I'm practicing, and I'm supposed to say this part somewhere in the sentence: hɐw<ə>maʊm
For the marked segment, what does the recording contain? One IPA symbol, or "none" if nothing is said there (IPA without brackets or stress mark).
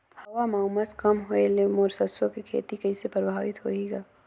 a